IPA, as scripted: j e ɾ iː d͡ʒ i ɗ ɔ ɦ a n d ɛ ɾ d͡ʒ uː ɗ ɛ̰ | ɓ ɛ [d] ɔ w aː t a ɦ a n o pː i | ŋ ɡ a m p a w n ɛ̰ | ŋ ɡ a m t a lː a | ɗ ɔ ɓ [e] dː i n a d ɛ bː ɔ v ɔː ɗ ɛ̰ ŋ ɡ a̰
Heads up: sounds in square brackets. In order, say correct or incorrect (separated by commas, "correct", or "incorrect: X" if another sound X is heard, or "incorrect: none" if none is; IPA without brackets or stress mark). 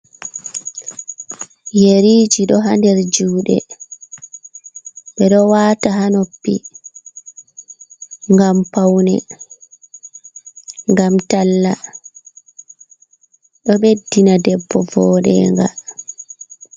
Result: incorrect: ɗ, correct